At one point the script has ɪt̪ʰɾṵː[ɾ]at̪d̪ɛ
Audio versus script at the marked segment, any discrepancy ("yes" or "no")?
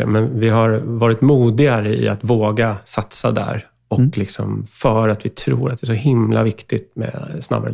no